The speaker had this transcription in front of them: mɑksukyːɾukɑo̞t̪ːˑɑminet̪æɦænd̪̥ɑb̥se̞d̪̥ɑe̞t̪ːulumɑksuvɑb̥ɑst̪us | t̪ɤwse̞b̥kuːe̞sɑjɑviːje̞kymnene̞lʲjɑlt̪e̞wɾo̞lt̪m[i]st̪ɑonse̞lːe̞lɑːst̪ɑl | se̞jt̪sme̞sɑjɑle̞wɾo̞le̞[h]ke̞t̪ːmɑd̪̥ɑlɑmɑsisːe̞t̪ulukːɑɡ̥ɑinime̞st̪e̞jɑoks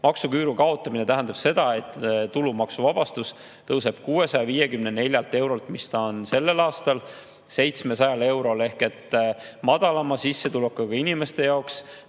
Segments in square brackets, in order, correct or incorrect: correct, correct

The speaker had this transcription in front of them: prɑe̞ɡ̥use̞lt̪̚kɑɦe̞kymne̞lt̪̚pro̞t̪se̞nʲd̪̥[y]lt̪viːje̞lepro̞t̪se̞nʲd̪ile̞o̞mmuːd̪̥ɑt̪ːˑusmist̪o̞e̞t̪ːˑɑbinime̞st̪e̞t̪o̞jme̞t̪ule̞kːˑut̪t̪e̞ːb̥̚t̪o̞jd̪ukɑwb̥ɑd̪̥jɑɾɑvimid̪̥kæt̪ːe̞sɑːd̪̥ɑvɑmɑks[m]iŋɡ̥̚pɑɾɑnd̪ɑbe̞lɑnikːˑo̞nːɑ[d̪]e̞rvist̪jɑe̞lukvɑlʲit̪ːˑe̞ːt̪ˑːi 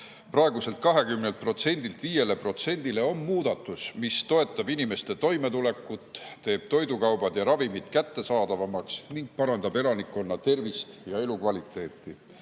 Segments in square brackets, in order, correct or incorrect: incorrect: i, incorrect: n, incorrect: t̪

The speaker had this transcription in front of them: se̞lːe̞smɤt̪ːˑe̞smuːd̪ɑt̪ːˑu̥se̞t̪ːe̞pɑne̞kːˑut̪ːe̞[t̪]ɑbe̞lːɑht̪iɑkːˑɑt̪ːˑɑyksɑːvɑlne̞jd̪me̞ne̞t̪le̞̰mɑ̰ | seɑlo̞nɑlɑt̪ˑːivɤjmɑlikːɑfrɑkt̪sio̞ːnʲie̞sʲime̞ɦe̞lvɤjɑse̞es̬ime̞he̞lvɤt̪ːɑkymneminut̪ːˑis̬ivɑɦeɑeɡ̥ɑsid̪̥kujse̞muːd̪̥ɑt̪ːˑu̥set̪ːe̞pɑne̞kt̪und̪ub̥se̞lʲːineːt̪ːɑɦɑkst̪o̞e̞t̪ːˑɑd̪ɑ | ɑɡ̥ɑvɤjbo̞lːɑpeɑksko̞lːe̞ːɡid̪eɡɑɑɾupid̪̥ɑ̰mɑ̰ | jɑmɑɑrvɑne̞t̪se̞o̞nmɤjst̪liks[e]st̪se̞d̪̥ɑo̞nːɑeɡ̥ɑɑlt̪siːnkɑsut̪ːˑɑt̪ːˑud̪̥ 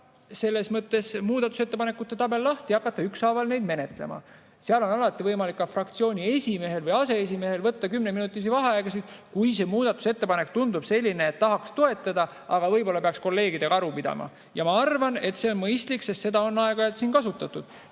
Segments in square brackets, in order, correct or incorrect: correct, correct

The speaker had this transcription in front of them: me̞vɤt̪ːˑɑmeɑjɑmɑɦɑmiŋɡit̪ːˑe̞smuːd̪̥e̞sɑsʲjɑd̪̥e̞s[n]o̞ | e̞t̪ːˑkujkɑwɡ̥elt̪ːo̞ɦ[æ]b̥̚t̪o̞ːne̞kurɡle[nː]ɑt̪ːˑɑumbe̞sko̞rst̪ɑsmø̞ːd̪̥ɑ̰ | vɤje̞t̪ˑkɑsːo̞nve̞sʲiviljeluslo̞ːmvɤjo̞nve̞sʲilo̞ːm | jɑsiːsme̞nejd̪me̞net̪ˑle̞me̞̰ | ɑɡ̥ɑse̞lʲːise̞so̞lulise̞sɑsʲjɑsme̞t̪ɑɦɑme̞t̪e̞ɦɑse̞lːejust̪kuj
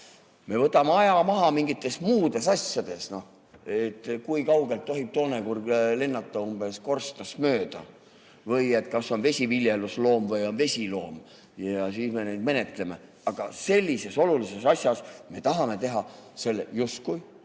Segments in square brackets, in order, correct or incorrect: correct, incorrect: i, correct

